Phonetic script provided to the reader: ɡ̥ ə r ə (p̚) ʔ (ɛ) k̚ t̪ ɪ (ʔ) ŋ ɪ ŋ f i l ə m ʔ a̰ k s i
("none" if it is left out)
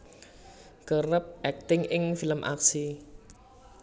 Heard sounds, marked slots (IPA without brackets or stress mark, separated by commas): p̚, ɛ, none